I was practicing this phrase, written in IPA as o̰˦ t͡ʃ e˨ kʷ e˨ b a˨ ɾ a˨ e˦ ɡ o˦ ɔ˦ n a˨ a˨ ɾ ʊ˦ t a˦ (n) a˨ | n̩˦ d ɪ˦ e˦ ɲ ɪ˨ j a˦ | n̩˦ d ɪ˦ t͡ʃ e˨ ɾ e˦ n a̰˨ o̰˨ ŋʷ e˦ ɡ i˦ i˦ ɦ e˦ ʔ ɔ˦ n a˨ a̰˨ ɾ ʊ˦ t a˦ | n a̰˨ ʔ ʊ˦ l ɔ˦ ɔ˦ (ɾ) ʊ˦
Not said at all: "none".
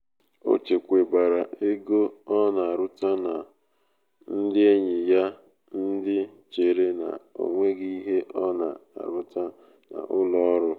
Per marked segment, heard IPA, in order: n, ɾ

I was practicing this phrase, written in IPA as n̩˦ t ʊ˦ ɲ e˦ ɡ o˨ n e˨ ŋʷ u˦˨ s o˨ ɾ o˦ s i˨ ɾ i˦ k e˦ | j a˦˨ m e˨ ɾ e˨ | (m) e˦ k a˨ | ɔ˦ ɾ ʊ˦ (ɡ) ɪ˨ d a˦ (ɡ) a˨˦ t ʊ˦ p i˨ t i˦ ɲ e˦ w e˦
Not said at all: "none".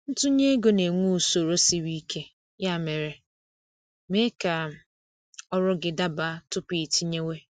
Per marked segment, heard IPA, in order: m, ɡ, b

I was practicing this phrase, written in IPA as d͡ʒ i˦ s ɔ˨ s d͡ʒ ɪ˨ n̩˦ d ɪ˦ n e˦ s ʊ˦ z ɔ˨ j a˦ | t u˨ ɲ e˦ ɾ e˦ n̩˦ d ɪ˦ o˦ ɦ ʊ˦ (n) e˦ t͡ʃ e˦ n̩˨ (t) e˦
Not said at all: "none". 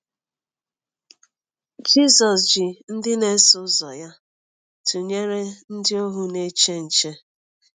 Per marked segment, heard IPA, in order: n, t͡ʃ

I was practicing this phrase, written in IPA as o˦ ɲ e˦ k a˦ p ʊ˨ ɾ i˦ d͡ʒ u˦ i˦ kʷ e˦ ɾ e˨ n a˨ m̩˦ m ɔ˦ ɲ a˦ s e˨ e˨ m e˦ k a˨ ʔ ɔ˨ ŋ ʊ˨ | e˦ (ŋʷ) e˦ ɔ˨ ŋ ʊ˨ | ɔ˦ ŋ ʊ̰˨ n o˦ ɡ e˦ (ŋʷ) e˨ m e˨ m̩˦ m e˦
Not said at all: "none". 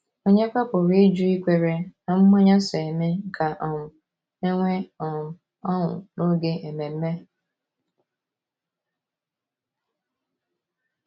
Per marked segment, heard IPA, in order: ŋʷ, none

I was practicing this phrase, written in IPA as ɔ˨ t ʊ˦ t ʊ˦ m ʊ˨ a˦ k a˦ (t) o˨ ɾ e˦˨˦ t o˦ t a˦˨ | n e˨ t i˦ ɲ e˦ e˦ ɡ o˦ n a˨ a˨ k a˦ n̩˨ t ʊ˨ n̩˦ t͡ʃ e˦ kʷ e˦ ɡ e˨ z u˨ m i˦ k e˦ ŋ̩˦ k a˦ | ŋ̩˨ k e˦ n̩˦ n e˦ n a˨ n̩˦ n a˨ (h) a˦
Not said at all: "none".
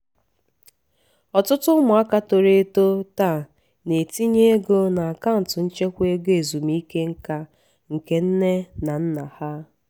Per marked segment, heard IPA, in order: t, h

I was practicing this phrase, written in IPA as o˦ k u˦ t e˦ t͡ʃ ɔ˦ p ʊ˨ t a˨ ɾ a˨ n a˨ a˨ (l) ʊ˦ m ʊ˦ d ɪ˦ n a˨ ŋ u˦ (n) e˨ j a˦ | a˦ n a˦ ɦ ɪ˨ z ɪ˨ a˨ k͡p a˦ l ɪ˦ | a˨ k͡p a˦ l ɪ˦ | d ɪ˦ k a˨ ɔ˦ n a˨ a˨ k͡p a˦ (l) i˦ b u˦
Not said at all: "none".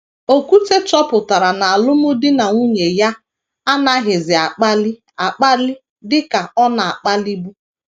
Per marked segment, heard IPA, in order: l, ɲ, l

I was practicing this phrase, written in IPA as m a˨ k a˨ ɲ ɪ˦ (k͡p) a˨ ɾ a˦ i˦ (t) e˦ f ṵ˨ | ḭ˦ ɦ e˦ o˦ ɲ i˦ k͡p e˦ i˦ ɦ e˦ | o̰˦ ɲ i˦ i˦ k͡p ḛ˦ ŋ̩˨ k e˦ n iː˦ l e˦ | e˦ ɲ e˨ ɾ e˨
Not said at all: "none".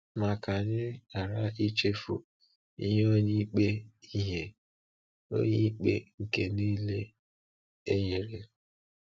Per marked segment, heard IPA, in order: none, t͡ʃ

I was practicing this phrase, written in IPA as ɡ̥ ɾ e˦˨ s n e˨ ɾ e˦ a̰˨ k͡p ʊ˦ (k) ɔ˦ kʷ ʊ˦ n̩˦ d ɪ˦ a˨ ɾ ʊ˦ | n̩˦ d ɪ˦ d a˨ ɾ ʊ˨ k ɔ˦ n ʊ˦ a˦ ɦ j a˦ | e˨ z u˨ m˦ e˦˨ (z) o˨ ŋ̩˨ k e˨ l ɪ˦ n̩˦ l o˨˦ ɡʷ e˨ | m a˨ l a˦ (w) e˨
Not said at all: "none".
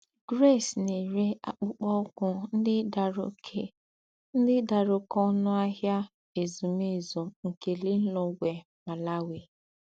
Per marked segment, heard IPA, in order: k͡p, z, w

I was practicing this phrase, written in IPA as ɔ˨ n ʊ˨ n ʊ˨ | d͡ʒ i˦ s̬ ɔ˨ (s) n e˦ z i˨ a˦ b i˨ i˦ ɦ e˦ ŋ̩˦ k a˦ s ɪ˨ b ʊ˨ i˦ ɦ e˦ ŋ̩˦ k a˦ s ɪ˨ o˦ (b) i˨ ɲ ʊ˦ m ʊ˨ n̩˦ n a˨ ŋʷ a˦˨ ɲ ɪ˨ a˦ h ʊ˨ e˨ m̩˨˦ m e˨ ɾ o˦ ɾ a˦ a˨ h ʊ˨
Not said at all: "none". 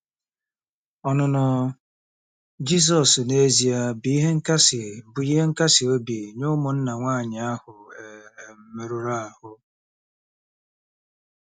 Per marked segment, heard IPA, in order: s, b

